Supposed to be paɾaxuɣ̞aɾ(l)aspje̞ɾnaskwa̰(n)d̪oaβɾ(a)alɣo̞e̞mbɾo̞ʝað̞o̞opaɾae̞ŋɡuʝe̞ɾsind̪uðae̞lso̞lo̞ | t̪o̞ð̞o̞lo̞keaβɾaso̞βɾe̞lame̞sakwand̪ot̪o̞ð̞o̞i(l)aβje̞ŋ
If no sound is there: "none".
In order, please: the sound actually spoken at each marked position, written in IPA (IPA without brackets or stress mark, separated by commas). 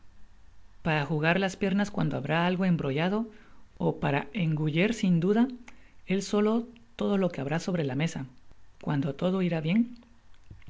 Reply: l, n, a, ɾ